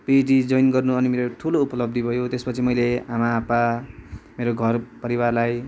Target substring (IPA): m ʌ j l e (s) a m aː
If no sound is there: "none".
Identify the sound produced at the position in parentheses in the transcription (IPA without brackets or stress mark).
none